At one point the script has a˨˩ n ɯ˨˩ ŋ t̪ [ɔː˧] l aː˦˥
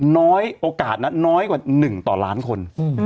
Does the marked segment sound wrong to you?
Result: yes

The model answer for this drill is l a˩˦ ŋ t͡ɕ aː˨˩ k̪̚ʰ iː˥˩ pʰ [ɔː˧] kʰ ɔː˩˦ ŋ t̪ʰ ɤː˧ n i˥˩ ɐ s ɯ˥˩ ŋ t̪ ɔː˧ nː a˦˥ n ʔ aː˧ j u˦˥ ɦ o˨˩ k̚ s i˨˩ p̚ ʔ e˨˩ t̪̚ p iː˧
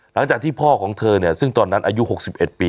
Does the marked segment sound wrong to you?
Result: yes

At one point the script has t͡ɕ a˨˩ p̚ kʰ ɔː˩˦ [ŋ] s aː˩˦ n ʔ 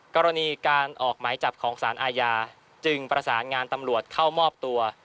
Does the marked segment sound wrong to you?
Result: no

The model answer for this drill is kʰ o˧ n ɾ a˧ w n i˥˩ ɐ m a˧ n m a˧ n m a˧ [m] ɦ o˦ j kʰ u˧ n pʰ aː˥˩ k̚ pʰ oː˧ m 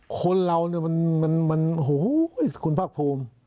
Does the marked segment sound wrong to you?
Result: yes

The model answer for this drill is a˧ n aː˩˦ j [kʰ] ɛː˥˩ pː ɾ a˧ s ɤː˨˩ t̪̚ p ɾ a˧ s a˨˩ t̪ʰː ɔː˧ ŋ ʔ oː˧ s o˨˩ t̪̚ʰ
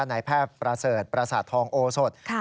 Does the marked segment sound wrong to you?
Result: yes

